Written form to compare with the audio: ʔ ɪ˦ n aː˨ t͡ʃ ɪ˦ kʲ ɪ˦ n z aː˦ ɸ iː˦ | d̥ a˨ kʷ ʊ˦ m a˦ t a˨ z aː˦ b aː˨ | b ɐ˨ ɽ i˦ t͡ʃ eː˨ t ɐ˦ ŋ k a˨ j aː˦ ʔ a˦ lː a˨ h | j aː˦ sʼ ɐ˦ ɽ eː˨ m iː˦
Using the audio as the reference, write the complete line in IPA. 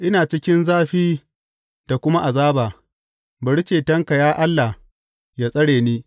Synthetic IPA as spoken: ʔ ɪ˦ n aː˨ t͡ʃ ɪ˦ kʲ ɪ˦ n z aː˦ ɸ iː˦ | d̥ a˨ kʷ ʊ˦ m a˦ ʔ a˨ z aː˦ b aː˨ | b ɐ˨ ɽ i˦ t͡ʃ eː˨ t ɐ˦ ŋ k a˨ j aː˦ ʔ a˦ lː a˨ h | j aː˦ sʼ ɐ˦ ɽ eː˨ n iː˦